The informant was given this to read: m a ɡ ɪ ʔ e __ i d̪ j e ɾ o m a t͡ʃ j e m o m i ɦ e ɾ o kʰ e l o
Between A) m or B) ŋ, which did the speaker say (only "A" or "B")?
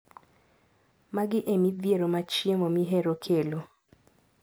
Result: A